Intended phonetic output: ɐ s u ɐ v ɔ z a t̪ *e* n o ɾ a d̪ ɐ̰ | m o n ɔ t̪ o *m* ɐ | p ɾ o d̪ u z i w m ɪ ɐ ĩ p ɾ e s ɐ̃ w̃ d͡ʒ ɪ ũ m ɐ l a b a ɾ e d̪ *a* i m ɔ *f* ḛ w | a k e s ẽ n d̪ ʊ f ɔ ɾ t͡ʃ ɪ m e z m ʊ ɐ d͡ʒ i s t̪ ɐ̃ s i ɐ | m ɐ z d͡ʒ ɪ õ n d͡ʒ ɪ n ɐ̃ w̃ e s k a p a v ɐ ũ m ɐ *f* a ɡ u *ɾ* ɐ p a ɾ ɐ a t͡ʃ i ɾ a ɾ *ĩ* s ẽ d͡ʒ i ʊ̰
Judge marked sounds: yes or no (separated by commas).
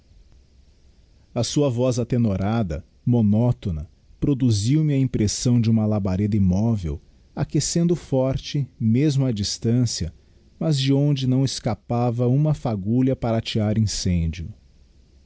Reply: yes, no, no, no, yes, no, yes